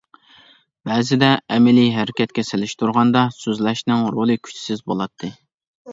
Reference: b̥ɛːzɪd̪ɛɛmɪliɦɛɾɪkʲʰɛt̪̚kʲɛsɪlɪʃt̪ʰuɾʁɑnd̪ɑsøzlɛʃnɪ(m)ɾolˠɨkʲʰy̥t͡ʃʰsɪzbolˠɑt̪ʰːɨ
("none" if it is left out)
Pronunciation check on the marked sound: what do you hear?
ŋ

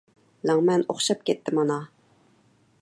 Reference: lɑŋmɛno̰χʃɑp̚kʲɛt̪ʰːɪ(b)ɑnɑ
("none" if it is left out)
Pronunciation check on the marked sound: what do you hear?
m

